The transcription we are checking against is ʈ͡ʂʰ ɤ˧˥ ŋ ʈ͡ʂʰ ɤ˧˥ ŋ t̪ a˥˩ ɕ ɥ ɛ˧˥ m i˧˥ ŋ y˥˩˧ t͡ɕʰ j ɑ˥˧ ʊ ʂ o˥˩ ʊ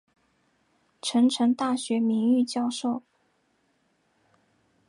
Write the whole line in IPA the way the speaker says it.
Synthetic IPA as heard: ʈ͡ʂʰ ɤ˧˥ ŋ ʈ͡ʂʰ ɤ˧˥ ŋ t̪ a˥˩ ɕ ɥ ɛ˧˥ m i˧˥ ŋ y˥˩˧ t͡ɕ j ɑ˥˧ ʊ ʂ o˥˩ ʊ